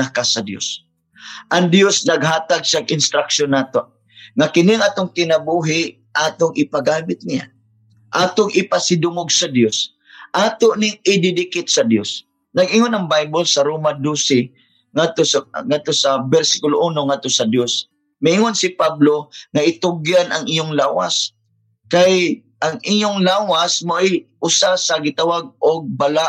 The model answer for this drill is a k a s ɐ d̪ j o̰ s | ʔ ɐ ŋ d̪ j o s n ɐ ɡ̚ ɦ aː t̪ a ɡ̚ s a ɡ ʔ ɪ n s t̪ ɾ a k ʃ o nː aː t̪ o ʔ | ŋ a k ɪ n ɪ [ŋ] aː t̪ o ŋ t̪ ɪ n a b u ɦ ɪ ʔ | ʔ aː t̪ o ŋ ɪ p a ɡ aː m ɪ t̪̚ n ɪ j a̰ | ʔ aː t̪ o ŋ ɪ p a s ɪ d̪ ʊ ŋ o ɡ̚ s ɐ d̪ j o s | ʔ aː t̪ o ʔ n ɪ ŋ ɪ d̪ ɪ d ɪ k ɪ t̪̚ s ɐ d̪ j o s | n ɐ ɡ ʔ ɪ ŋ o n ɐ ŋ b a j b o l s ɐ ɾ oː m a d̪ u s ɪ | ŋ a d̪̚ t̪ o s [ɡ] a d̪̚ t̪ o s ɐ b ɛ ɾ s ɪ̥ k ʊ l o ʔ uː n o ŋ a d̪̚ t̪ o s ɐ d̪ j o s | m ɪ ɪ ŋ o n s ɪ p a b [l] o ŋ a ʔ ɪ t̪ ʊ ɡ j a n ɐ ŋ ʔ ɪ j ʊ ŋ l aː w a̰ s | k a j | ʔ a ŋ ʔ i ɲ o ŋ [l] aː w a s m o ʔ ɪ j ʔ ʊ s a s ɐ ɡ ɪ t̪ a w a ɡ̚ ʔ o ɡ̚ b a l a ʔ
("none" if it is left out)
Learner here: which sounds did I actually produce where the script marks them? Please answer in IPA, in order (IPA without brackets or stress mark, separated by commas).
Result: ŋ, ŋ, l, l